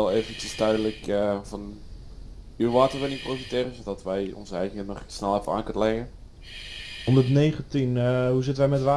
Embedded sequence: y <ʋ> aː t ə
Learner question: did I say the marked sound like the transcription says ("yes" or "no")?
yes